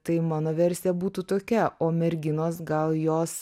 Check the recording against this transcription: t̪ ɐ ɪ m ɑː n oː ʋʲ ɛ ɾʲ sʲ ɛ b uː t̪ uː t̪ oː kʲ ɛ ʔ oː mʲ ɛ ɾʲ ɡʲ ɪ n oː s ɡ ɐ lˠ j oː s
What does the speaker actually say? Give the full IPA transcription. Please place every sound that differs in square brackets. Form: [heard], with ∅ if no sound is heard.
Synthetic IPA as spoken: t̪ ɐ ɪ m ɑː n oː ʋʲ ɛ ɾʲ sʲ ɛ b uː t̪ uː t̪ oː kʲ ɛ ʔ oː mʲ ɛ ɾʲ ɡʲ ɪ n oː s ɡ ɐ lˠ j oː s